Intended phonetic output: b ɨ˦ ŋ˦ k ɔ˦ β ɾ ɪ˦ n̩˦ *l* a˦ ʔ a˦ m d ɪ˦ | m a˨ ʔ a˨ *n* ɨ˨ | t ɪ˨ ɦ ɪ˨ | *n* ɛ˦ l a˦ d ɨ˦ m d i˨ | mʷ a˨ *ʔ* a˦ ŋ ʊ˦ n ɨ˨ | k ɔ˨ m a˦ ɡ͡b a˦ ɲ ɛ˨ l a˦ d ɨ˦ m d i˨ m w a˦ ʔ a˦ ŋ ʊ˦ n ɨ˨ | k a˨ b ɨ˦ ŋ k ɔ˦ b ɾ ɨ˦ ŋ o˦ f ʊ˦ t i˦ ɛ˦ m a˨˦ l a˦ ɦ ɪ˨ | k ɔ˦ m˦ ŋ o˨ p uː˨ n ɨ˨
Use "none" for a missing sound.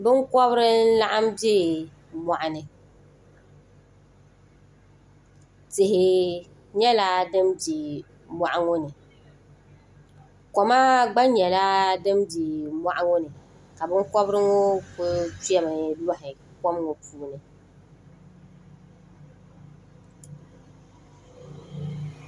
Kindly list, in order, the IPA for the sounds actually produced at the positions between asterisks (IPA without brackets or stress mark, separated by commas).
l, n, ɲ, ʔ